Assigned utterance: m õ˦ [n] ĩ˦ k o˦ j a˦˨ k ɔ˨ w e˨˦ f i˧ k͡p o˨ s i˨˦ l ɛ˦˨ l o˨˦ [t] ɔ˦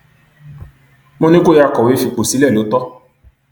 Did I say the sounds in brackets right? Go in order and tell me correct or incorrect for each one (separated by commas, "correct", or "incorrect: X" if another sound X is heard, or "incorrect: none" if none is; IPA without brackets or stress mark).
correct, correct